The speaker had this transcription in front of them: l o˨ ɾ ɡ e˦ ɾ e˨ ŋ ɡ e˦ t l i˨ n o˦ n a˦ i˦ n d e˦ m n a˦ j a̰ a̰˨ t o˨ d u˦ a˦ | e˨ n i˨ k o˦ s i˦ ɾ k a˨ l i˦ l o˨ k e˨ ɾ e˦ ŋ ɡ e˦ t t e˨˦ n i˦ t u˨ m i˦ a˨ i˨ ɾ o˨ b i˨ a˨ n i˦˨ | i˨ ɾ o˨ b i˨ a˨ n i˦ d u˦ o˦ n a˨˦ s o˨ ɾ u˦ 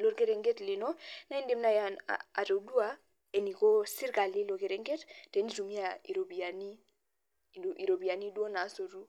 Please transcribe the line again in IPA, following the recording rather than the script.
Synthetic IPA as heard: l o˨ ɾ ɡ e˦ ɾ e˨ ŋ ɡ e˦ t l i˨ n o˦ n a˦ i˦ n d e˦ m n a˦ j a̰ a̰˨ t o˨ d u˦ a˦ | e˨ n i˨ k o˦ s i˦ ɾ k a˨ l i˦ l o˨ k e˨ ɾ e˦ ŋ ɡ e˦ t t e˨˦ n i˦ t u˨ m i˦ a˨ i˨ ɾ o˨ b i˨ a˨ n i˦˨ | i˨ ɾ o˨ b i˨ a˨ n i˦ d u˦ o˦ n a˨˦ s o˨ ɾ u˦